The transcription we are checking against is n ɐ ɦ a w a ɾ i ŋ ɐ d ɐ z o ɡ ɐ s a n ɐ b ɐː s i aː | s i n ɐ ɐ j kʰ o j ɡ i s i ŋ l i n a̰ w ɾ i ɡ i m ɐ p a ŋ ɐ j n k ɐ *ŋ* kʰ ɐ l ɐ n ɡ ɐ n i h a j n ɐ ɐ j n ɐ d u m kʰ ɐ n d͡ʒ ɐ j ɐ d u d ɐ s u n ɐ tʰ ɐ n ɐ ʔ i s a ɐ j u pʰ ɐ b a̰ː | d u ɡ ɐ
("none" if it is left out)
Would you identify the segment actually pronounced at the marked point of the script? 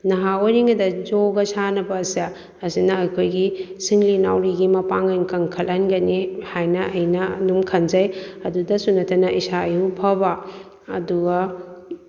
ŋ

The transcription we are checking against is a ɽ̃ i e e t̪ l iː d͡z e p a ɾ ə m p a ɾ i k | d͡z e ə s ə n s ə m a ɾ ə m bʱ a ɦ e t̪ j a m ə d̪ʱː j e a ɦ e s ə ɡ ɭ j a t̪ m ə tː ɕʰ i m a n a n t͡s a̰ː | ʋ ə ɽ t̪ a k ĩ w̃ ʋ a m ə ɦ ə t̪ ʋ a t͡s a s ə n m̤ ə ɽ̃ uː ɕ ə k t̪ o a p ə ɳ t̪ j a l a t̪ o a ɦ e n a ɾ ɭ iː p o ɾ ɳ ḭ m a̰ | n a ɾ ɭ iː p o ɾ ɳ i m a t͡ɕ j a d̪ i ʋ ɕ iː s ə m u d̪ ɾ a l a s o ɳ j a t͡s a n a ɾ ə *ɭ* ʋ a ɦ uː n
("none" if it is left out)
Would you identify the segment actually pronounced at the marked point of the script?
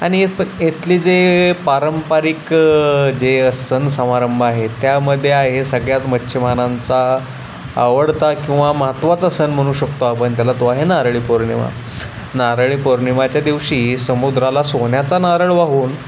ɭ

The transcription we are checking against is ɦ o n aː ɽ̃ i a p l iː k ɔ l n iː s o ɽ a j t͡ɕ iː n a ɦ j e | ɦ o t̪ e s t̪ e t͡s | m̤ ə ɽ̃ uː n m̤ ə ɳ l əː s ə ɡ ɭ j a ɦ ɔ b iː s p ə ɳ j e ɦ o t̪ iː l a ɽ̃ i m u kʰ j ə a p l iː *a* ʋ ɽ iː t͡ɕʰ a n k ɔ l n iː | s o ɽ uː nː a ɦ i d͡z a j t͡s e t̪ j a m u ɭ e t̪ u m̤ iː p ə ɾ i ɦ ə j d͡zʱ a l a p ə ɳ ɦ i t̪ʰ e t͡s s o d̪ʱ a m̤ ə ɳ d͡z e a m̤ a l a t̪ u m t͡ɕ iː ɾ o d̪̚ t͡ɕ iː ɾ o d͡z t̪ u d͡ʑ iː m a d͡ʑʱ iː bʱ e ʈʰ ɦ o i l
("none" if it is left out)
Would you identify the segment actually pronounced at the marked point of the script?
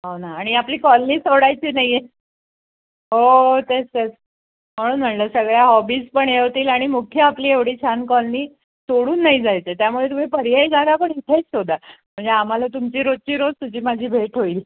e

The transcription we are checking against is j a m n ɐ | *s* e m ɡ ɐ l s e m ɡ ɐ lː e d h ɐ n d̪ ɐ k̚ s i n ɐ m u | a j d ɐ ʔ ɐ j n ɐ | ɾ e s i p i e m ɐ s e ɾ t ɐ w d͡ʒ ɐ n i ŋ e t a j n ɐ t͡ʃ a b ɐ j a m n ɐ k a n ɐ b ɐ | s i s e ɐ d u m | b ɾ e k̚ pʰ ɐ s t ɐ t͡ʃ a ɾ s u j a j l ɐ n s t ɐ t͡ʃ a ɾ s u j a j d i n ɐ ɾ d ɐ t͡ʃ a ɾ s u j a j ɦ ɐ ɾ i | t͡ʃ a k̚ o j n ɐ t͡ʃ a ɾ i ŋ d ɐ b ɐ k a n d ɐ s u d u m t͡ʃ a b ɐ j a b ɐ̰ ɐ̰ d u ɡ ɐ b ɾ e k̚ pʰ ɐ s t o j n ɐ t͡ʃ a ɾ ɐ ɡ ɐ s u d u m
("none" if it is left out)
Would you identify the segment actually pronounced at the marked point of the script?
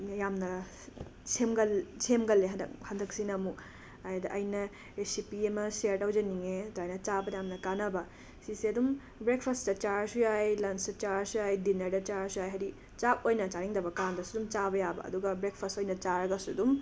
s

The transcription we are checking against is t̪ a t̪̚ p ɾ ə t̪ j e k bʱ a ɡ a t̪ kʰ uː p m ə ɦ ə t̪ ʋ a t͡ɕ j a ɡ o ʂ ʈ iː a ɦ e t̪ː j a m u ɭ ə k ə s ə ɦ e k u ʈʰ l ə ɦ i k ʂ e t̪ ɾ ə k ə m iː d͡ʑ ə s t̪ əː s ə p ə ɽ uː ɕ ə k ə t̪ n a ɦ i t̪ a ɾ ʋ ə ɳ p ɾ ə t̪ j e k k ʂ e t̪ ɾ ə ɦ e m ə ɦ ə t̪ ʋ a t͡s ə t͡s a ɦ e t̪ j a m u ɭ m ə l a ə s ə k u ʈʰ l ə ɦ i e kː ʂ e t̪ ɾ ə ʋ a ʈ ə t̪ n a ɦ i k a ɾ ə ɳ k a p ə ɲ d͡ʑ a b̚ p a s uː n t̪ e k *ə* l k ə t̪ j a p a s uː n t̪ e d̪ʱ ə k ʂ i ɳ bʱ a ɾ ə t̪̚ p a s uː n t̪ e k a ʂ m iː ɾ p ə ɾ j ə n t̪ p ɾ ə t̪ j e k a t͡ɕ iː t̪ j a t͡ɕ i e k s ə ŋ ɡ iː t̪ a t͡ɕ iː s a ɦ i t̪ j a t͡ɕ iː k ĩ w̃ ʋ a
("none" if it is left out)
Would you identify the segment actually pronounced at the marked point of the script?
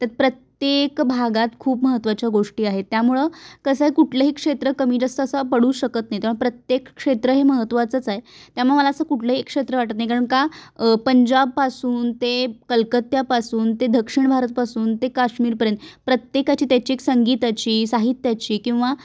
ə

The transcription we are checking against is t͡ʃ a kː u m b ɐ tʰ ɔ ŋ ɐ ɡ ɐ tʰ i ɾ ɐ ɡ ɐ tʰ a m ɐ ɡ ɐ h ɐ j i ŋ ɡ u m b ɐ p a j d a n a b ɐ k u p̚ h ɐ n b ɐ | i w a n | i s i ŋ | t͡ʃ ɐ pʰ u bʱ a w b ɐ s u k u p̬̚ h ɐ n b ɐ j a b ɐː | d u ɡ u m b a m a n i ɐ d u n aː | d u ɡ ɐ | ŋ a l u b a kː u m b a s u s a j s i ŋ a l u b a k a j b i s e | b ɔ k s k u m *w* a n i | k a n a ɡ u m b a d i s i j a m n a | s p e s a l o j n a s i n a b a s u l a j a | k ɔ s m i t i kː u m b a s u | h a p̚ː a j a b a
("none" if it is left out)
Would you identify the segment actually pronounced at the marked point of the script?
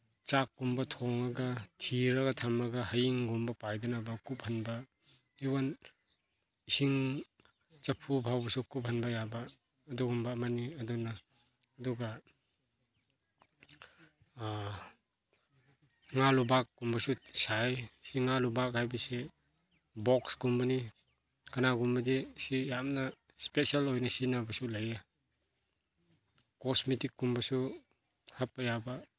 b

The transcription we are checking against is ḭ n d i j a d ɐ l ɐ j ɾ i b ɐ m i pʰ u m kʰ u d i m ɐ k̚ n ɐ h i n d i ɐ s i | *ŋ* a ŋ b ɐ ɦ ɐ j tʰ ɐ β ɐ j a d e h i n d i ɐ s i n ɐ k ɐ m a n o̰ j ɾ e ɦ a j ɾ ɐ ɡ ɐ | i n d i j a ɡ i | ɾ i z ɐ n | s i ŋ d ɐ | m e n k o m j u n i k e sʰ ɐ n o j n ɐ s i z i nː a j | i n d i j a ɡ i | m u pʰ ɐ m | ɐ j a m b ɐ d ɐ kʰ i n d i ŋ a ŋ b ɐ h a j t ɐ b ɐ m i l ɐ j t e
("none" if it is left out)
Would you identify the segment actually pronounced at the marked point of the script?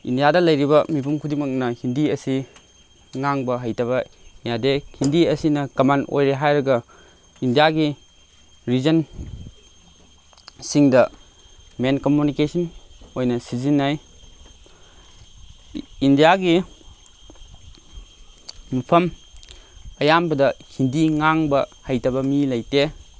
ŋ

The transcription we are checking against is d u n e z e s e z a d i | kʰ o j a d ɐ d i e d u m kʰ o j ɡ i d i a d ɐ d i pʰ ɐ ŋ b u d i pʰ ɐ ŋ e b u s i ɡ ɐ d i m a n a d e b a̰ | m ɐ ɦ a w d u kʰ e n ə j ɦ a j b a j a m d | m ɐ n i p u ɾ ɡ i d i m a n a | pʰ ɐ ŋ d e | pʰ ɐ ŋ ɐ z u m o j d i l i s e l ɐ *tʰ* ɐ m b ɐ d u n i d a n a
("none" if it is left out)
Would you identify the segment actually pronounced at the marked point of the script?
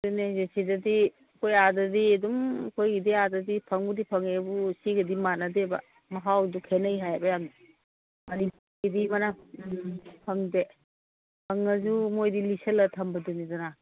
tʰ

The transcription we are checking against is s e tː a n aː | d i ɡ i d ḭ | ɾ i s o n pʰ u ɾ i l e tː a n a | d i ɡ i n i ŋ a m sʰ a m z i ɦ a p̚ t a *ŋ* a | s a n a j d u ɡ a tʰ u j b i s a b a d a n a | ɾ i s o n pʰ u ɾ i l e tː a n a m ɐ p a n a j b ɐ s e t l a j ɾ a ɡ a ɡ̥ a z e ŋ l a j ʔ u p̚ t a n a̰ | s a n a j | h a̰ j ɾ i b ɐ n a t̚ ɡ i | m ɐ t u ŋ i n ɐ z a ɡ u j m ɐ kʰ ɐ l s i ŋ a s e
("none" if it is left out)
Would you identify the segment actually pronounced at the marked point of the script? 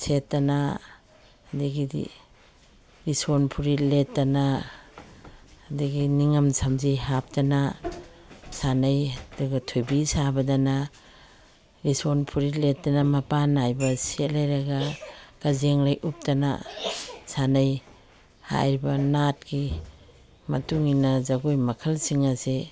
n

